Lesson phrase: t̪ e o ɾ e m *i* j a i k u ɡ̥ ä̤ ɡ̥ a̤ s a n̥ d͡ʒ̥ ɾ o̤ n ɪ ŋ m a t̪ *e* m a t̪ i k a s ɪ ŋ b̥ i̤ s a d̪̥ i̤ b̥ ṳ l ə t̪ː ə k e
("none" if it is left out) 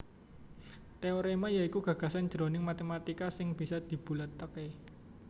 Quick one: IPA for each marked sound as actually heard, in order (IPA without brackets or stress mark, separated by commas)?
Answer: a, e